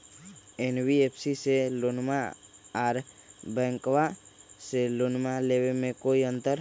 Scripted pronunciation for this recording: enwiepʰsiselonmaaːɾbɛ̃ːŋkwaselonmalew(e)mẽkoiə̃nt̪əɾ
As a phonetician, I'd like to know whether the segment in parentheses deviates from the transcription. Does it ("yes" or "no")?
no